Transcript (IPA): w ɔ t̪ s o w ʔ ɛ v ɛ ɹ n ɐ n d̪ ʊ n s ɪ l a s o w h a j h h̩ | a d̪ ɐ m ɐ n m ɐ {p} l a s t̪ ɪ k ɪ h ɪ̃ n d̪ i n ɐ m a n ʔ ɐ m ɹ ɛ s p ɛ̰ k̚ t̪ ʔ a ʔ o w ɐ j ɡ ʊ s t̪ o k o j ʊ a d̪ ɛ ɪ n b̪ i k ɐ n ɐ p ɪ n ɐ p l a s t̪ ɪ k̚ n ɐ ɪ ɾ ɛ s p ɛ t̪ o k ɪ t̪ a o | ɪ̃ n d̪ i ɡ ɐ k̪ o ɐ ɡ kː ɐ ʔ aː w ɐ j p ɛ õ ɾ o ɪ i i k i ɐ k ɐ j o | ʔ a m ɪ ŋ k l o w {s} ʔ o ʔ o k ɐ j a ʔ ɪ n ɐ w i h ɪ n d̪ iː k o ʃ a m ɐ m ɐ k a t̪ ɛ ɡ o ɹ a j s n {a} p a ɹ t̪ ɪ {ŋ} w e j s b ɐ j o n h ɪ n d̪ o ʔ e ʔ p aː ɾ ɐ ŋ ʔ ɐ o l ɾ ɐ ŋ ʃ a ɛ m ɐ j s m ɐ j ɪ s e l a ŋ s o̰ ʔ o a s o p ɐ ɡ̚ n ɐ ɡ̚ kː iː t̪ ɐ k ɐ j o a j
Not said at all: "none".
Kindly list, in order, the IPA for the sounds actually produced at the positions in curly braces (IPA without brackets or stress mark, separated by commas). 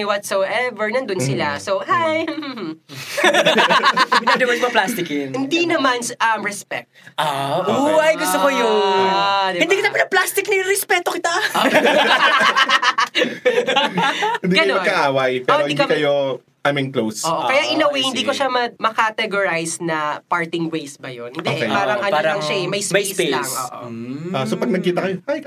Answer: p, s, ɐ, ŋ